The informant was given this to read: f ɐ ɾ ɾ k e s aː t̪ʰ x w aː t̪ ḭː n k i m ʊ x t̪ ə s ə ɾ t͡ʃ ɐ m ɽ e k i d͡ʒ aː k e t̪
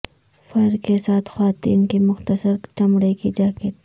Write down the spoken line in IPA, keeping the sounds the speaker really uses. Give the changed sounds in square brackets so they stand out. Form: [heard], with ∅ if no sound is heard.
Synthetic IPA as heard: f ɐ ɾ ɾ k e s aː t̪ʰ x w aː t̪ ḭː n k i m ʊ x t̪ ə s ə ɾ t͡ʃ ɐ m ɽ e k i d͡ʒ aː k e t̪

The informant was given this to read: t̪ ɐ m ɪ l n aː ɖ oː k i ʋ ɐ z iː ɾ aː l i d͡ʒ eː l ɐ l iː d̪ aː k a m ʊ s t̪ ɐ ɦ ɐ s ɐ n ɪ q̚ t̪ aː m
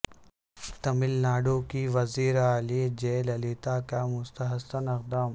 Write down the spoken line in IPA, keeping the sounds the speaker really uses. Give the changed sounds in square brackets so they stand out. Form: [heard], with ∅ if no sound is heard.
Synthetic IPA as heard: t̪ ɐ m ɪ l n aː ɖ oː k i ʋ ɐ z iː ɾ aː l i d͡ʒ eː l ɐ l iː [t̪] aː k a m ʊ s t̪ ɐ ɦ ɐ s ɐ n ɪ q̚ [d̪] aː m

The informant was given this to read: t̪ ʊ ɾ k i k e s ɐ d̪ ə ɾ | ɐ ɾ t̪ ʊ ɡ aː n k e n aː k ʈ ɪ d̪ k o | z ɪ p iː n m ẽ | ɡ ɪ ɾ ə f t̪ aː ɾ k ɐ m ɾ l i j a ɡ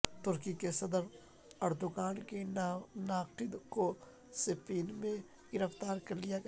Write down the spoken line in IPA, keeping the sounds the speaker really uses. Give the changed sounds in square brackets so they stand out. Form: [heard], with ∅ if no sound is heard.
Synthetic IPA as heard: t̪ ʊ ɾ k i k e s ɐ d̪ ə ɾ | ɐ ɾ [d̪] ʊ ɡ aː n k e n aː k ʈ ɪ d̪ k o | [s] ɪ p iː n m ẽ | ɡ ɪ ɾ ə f t̪ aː ɾ k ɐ [∅] ɾ l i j a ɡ

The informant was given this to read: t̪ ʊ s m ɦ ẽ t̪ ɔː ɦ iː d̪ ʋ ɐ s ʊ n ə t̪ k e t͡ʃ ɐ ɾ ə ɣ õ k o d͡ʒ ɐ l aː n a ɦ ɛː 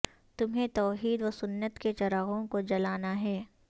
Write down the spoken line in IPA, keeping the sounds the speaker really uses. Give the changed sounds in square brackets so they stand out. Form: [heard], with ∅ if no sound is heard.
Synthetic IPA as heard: t̪ ʊ [∅] m ɦ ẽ t̪ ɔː ɦ iː d̪ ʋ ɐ s ʊ [nː] ə t̪ k e t͡ʃ ɐ ɾ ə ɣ õ k o d͡ʒ ɐ l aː n a ɦ ɛː

